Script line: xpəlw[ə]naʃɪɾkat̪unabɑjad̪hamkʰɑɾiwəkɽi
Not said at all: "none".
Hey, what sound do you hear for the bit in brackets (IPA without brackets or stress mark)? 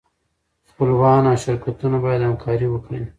ɑ